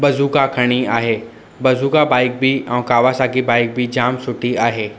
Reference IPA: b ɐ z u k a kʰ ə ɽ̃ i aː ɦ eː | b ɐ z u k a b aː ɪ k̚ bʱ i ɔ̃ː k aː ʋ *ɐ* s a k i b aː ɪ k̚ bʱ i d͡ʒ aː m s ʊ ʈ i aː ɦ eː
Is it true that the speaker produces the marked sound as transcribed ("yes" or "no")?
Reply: no